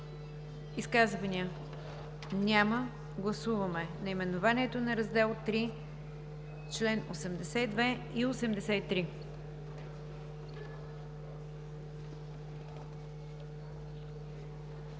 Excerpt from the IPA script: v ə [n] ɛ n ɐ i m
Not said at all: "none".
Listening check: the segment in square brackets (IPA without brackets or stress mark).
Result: m